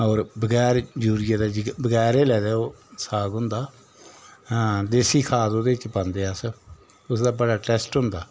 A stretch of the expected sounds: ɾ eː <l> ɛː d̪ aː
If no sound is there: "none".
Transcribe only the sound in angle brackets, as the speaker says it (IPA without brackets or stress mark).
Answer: l